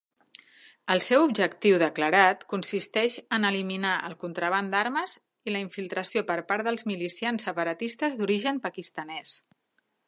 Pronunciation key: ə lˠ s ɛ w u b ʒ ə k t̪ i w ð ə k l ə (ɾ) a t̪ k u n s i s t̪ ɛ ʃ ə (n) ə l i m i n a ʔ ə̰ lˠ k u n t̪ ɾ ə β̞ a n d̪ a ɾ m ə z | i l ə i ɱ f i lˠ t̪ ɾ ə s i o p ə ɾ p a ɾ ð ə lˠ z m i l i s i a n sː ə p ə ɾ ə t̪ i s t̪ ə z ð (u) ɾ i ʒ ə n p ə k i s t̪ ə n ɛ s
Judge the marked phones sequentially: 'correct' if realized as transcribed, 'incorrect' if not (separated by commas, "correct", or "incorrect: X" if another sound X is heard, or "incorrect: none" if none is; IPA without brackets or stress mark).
correct, correct, correct